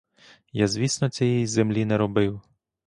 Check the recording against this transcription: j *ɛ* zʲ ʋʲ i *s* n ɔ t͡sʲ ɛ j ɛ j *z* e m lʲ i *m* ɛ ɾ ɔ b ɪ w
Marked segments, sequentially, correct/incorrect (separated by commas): incorrect, correct, correct, incorrect